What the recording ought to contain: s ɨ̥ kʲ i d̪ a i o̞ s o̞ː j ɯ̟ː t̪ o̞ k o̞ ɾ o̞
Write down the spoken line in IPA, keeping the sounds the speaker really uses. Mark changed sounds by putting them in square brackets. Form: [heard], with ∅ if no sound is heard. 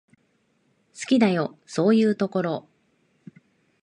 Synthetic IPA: s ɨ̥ kʲ i d̪ a [j] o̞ s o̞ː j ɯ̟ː t̪ o̞ k o̞ ɾ o̞